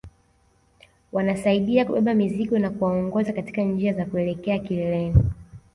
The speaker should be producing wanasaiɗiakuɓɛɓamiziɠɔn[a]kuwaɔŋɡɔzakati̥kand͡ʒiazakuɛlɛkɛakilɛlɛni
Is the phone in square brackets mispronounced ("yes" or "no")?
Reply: no